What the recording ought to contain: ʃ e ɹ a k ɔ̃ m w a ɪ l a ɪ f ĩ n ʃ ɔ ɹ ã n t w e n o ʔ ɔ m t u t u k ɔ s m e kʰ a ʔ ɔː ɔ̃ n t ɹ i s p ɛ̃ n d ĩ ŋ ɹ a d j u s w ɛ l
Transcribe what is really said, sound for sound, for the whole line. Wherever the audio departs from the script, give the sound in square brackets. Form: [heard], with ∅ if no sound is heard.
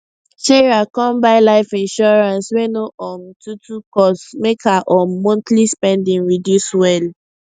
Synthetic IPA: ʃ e ɹ a k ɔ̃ m [b] a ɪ l a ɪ f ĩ n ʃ ɔ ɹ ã n [s] w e n o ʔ ɔ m t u t u k ɔ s m e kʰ a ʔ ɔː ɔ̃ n t [l] i s p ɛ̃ n d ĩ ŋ ɹ [i] d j u s w ɛ l